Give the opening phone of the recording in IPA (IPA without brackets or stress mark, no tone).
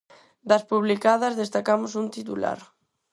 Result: d̪